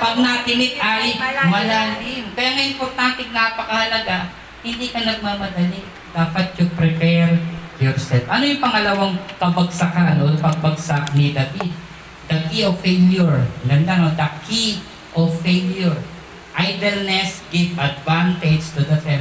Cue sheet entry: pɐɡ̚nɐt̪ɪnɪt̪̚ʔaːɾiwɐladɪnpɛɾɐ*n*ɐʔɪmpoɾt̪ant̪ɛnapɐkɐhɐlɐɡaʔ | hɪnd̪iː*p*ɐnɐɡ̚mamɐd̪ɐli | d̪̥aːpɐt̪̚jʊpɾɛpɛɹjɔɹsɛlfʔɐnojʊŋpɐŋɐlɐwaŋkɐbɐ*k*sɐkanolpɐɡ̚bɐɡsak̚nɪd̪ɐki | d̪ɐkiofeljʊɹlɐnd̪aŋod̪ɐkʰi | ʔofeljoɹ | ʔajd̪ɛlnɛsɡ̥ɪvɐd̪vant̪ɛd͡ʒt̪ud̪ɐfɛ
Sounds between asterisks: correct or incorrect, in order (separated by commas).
incorrect, incorrect, incorrect